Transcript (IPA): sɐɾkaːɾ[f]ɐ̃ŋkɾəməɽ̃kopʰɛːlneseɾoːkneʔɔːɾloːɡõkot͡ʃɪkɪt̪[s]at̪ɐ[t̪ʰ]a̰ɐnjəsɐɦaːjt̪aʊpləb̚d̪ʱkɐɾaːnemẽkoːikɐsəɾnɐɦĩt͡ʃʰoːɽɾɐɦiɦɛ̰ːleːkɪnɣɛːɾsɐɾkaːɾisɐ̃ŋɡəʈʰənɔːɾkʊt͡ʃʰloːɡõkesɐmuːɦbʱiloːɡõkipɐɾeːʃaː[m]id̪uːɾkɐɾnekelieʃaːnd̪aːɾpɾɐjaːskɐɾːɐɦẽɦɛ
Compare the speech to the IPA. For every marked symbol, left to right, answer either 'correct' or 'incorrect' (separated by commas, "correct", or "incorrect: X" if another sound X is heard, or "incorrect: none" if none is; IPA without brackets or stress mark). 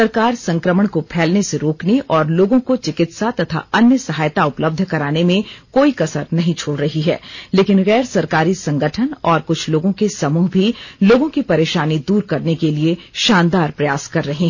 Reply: incorrect: s, correct, correct, incorrect: n